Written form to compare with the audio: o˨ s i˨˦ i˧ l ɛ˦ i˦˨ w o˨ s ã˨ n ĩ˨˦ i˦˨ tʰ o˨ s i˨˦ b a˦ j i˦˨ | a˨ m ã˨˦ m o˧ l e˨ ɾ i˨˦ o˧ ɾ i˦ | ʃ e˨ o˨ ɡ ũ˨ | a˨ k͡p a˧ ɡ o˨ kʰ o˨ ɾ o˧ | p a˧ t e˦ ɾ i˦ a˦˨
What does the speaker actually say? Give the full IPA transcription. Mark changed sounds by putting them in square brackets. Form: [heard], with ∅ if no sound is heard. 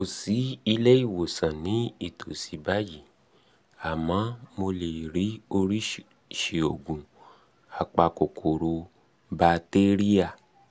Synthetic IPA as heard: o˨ s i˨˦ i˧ l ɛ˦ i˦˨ w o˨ s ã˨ n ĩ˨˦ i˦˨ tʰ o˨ s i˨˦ b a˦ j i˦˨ | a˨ m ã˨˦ m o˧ l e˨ ɾ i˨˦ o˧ ɾ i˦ | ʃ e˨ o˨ ɡ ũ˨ | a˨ k͡p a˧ [k] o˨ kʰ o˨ ɾ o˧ | [b] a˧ t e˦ ɾ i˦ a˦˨